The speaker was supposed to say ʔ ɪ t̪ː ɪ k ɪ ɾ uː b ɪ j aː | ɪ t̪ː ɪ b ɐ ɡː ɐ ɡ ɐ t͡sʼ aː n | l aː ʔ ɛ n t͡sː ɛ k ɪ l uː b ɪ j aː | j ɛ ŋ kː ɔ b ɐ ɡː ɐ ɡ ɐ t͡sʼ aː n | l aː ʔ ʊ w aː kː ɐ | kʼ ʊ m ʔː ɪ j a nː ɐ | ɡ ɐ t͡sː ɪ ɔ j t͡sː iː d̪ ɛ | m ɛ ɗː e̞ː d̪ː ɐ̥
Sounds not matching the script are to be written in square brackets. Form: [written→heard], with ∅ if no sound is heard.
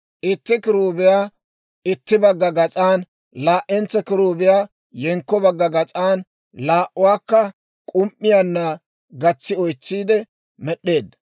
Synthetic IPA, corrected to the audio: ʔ ɪ t̪ː ɪ k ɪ ɾ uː b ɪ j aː | ɪ t̪ː ɪ b ɐ ɡː ɐ ɡ ɐ t͡sʼ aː n | l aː ʔ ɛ n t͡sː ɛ k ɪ [l→ɾ] uː b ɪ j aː | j ɛ ŋ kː ɔ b ɐ ɡː ɐ ɡ ɐ t͡sʼ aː n | l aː ʔ ʊ w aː kː ɐ | kʼ ʊ m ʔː ɪ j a nː ɐ | ɡ ɐ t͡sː ɪ ɔ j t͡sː iː d̪ ɛ | m ɛ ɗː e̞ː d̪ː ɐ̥